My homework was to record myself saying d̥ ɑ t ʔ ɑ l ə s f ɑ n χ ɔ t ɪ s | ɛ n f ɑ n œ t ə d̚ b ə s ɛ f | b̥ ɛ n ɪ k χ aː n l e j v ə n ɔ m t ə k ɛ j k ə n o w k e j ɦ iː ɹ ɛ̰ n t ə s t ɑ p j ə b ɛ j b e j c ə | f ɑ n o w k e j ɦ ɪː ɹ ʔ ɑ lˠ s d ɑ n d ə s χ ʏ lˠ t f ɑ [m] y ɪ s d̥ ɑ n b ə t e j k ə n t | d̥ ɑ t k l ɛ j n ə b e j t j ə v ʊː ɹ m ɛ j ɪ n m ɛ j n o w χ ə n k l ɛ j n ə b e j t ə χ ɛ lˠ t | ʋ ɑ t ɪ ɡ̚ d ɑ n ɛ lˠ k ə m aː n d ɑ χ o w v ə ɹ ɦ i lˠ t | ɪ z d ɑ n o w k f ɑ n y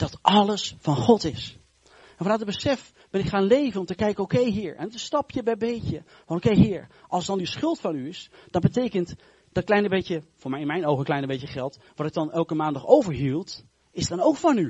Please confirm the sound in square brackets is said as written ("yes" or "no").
no